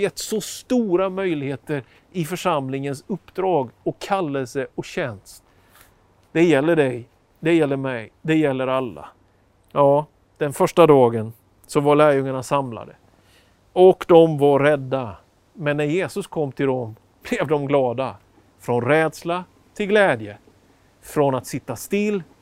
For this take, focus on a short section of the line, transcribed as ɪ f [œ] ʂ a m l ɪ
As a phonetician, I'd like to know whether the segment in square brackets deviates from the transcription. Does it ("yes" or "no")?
no